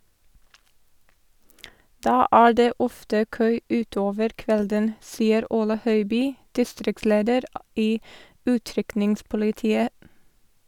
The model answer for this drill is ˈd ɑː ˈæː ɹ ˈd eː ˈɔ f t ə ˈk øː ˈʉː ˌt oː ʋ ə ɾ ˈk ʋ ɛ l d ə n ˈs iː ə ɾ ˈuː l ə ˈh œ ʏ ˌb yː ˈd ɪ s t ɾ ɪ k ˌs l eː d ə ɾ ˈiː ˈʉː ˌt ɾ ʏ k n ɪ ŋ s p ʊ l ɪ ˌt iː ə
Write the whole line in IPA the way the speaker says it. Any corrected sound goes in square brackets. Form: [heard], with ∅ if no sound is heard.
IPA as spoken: ˈd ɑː ˈæː ɹ ˈd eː ˈɔ f t ə ˈk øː ˈʉː ˌt oː ʋ ə ɾ ˈk ʋ ɛ l d ə n ˈs iː ə ɾ ˈuː l ə ˈh œ ʏ ˌb yː ˈd ɪ s t ɾ ɪ k ˌs l eː d ə ɾ ˈiː ˈʉː ˌt ɾ ʏ k n ɪ ŋ s p ʊ l ɪ ˌt iː ə